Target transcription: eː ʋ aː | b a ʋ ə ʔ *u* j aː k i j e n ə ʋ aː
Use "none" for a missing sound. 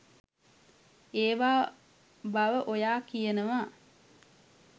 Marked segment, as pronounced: o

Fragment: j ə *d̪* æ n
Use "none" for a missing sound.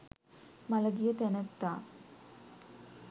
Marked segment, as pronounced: t̪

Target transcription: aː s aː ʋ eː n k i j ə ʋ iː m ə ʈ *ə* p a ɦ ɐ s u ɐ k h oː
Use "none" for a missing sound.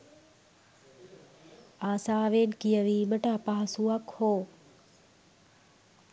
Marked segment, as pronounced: a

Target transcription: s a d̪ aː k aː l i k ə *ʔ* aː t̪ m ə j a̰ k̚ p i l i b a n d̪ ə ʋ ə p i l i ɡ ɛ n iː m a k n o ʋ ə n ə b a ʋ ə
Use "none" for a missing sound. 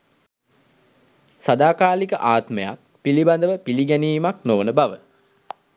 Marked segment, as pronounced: ʔ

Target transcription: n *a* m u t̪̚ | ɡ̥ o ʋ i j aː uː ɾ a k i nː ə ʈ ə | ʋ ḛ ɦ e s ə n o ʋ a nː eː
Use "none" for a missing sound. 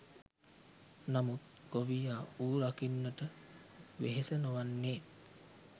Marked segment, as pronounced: a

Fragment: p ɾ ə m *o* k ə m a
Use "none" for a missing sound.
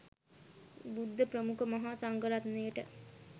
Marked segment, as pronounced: u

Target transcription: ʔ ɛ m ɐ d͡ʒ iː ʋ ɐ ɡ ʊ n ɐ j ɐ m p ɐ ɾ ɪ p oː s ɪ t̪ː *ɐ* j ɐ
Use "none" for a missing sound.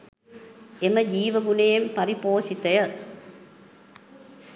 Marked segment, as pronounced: ɐ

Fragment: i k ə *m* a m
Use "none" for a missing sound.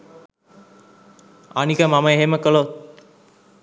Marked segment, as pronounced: m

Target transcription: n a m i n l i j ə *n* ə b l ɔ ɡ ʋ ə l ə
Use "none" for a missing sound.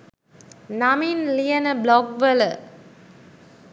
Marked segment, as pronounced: n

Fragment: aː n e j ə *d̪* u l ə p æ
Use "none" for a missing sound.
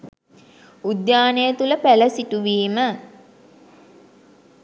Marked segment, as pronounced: t̪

